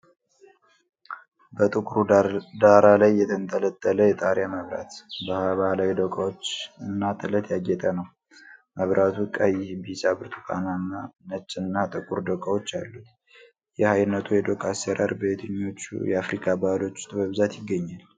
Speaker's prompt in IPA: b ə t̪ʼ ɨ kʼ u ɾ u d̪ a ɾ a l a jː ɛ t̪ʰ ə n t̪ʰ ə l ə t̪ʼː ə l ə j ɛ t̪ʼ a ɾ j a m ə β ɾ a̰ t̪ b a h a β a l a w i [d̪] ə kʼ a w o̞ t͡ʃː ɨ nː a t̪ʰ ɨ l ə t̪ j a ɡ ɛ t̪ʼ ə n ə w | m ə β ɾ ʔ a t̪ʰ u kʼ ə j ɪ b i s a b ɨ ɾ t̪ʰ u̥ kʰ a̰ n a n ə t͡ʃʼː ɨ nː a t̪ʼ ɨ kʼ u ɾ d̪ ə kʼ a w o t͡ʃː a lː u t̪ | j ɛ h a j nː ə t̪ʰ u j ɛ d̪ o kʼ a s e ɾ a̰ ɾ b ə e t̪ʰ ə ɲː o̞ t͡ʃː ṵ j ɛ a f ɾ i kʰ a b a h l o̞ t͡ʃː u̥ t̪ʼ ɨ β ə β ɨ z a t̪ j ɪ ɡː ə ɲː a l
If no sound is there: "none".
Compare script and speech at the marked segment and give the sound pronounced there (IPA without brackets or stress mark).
d̪